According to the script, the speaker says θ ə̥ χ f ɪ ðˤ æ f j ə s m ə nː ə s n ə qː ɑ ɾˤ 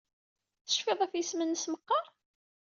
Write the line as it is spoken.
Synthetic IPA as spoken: θ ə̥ ʃ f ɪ ðˤ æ f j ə s m ə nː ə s m ə qː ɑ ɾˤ

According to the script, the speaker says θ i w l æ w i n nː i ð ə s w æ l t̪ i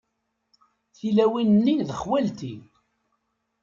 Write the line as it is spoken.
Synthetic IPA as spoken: θ i l æ w i n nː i ð ə χ w æ l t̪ i

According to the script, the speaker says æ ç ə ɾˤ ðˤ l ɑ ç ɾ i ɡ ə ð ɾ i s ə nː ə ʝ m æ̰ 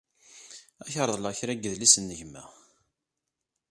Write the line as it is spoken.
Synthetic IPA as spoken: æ ç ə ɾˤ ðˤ l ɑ ç ɾ æ ɡ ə ð l i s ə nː ə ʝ m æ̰

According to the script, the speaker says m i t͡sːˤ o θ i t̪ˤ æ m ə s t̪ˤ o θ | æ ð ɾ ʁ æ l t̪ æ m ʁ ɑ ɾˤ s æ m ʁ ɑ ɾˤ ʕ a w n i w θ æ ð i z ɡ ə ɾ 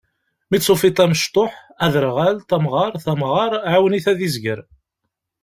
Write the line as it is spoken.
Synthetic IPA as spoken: m i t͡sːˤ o f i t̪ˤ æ m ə ʃ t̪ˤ o ħ | æ ð ɾ ʁ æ l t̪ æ m ʁ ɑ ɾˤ θ æ m ʁ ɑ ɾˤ ʕ a w n i θ æ ð i z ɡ ə ɾ

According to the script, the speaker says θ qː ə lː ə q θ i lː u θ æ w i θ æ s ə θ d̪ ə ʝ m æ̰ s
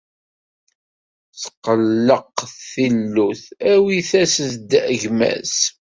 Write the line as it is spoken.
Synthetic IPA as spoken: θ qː ə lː ə q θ i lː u θ æ w i θ æ s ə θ d̪ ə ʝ m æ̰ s

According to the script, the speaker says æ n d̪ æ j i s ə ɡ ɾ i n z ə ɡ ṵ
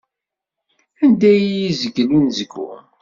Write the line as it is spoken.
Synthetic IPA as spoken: æ n d̪ æ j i z ə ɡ l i n z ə ɡ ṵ

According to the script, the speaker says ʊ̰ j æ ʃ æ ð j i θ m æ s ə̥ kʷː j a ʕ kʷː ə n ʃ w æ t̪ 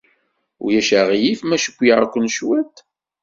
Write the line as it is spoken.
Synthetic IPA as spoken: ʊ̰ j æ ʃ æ ʁ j i f m æ ʃ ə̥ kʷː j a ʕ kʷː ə n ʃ w æ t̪

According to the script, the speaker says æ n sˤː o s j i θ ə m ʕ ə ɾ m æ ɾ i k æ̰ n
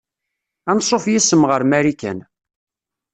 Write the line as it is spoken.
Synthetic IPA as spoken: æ n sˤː o f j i s ə m ʁ ə ɾ m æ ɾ i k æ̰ n

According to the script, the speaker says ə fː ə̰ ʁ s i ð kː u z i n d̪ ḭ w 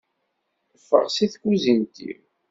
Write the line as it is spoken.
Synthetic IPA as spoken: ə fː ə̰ ʁ s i θ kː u z i n t̪ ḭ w

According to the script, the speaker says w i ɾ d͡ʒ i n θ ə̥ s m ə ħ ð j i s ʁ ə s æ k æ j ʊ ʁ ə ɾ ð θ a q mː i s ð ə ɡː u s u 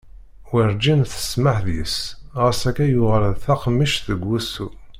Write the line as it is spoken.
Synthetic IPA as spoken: w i ɾ d͡ʒ i n θ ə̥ s m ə ħ ð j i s ʁ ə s æ k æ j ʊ ʁ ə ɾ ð θ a q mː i ʃ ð ə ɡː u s u

